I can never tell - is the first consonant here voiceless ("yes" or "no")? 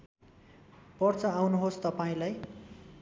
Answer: yes